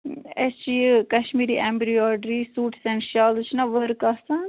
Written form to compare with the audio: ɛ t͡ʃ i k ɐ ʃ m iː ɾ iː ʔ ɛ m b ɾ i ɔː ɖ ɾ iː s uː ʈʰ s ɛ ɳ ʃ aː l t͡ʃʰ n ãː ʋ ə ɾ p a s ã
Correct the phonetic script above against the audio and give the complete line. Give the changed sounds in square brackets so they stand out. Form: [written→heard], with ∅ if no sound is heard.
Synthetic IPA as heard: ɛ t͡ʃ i k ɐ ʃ m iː ɾ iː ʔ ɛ m b ɾ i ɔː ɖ ɾ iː s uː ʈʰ s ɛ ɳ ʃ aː l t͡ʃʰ n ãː ʋ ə ɾ [p→k] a s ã